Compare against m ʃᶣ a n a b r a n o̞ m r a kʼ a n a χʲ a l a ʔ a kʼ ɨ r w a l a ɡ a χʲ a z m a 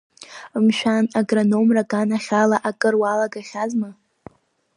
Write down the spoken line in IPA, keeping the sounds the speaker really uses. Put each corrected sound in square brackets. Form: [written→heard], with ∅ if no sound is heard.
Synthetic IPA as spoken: m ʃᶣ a n a [b→ɡ] r a n o̞ m r a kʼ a n a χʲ a l a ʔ a kʼ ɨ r w a l a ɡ a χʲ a z m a